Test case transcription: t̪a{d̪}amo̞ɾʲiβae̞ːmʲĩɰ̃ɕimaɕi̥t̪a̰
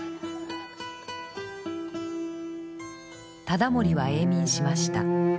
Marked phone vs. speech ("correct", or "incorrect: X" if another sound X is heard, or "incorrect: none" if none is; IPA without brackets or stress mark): correct